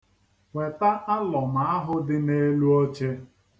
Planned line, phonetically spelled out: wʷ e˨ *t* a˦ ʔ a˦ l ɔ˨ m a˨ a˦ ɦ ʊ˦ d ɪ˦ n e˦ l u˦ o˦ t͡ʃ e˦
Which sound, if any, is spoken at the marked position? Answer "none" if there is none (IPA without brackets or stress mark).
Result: t